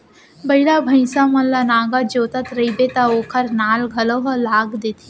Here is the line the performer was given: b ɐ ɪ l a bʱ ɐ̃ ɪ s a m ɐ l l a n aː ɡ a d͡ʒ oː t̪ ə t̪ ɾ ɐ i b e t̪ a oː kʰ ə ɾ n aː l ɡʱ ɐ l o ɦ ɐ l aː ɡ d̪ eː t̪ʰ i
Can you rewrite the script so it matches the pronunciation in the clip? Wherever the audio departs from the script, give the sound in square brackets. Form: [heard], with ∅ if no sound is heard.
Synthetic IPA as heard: b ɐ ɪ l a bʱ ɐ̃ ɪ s a m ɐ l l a n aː ɡ a d͡ʒ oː t̪ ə t̪ ɾ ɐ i b e t̪ a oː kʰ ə ɾ n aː l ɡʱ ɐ l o ɦ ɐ l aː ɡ d̪ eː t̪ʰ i